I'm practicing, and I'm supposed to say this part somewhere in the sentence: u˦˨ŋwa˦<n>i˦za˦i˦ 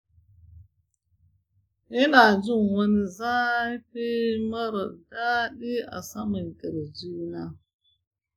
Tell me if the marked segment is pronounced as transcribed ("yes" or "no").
yes